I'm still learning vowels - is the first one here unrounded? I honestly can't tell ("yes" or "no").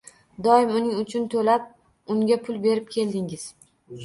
no